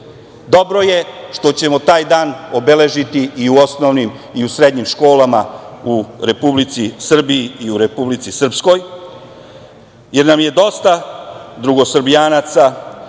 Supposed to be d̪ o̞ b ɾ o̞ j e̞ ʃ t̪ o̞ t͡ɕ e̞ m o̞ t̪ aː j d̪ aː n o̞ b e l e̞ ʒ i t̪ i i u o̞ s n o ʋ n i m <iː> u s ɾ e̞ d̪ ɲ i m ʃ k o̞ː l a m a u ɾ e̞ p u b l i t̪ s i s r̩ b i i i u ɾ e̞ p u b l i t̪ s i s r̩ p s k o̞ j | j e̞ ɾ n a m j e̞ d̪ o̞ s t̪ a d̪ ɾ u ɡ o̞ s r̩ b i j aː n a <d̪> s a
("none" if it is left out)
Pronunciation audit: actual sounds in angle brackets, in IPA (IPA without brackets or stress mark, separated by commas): i, t̪